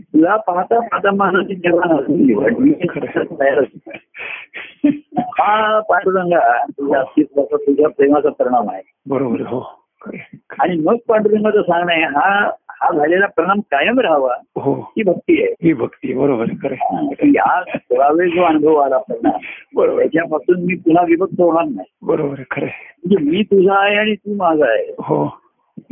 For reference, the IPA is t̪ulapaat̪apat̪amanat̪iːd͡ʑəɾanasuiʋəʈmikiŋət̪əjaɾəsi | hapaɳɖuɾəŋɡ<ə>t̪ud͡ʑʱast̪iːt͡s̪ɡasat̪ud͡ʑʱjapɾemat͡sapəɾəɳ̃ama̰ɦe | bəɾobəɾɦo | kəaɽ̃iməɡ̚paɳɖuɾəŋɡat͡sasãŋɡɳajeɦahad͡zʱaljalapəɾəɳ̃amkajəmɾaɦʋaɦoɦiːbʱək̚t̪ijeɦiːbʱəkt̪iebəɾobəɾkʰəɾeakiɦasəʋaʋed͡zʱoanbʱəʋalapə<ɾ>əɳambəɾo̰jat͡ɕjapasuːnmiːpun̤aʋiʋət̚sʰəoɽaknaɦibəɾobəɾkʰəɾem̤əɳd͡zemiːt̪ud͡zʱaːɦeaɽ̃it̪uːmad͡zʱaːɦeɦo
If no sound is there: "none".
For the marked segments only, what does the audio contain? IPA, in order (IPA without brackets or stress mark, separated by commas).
a, ɾ